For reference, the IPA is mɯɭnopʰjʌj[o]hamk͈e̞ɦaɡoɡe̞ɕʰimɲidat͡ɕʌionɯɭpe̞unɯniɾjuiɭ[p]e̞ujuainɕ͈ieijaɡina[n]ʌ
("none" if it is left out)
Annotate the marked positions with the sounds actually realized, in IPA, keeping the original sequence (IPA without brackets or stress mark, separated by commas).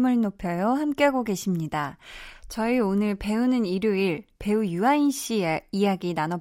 o, p, n